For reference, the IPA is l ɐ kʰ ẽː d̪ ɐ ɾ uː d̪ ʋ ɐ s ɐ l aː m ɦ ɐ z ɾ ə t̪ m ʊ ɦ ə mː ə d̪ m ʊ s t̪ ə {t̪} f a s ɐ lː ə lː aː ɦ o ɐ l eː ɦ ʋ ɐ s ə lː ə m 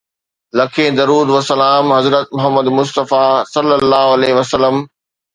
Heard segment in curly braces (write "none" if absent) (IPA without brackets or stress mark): none